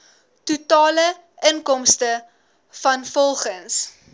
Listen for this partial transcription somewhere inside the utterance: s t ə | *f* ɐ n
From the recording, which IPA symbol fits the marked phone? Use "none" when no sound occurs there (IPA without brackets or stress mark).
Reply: f